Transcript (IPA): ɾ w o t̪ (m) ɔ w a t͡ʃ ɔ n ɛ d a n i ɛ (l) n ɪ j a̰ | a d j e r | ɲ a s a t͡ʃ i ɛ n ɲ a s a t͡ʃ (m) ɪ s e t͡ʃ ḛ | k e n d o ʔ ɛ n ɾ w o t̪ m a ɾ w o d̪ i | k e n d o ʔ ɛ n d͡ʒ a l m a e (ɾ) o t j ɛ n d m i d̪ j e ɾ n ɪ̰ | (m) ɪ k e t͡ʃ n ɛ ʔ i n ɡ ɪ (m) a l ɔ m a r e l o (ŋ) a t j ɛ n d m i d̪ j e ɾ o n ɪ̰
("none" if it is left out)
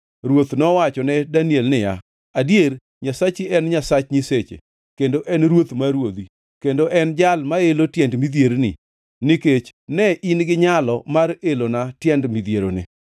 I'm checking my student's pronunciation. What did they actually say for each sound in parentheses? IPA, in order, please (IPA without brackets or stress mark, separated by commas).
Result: n, l, ɲ, l, n, ɲ, n